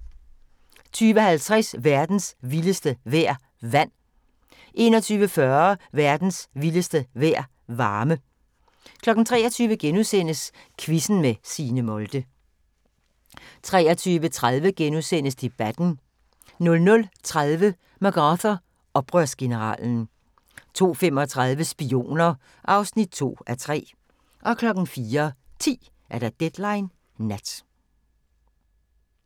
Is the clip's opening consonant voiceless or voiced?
voiceless